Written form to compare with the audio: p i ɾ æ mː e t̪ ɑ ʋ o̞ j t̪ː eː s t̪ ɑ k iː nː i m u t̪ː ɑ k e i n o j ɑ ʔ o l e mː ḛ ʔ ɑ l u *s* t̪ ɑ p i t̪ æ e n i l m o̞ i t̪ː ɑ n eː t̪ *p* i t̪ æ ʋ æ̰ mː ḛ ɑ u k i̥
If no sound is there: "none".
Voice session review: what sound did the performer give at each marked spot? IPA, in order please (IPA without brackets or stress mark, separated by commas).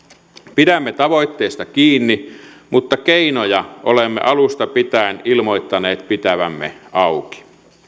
s, p